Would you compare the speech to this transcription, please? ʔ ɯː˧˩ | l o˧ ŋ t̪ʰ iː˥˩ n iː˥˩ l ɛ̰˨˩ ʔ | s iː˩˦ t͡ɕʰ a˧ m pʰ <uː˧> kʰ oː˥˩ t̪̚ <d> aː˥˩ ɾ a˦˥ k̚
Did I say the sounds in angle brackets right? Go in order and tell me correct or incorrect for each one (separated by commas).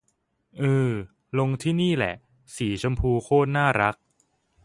correct, incorrect